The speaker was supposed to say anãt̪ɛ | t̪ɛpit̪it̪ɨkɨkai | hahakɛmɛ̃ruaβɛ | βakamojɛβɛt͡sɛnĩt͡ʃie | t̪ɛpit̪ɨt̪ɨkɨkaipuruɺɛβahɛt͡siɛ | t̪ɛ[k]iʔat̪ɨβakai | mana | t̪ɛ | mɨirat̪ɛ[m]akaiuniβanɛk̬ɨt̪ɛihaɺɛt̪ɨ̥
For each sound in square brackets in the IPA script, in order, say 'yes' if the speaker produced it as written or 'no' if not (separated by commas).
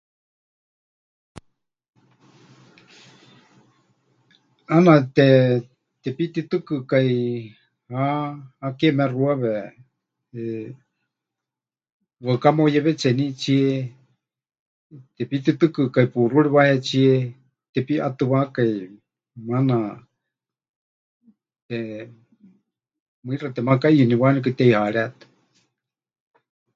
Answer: no, yes